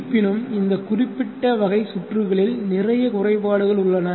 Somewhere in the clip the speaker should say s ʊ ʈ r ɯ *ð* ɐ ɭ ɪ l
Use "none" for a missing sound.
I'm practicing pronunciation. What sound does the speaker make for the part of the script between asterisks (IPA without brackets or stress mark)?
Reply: ɣ